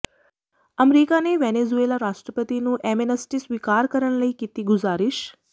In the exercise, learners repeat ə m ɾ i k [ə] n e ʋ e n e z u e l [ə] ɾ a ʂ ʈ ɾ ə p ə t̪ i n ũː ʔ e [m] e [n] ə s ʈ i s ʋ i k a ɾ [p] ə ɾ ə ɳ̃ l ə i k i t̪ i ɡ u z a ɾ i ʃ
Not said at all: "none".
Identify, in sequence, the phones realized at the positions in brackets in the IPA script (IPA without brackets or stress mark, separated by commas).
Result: a, a, m, n, k